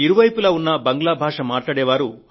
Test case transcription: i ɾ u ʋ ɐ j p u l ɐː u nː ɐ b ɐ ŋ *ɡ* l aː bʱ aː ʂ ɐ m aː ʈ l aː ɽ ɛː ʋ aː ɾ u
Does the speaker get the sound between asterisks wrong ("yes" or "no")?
no